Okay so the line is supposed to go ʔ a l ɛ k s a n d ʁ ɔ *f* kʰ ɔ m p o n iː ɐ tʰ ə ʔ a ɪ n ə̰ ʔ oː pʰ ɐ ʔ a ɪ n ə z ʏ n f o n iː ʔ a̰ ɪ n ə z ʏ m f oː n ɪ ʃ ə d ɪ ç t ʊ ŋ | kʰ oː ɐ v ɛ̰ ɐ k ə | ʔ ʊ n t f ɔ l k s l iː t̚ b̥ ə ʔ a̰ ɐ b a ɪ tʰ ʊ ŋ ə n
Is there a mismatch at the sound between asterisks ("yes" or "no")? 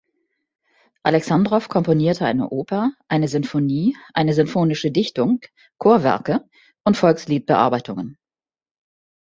no